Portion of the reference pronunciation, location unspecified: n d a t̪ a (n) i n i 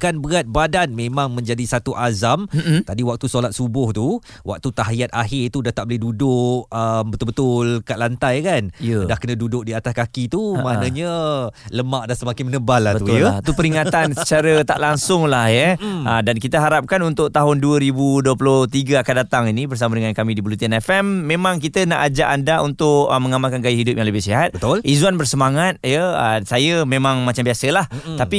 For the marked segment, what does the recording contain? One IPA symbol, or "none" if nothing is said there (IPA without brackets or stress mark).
ŋ